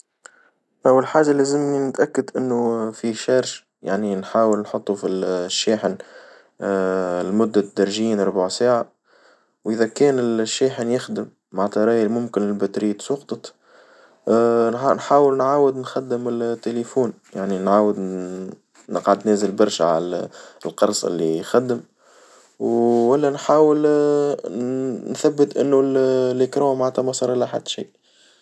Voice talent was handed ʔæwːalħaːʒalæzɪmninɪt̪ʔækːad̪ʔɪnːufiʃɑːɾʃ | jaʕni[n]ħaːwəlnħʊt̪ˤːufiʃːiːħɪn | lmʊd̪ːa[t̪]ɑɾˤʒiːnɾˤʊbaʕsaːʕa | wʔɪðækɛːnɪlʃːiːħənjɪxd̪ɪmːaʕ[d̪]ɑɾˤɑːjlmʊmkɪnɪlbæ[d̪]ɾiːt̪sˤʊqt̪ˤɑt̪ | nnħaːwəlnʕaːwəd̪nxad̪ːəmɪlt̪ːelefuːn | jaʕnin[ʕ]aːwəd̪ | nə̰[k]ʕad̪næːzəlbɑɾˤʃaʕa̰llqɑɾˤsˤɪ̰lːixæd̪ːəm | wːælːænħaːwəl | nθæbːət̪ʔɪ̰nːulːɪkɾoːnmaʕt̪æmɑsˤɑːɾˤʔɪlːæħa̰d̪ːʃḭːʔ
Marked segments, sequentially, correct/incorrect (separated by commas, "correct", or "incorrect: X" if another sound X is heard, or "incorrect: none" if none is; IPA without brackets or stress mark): correct, incorrect: d̪, incorrect: t̪, incorrect: t̪, correct, incorrect: q